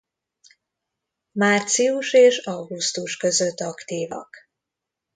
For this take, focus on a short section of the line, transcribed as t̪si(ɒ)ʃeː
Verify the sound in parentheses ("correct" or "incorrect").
incorrect